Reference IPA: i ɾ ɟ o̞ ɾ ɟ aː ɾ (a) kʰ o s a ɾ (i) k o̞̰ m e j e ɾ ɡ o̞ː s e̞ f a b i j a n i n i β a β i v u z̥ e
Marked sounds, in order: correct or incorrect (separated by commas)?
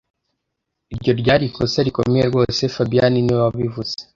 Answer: incorrect, correct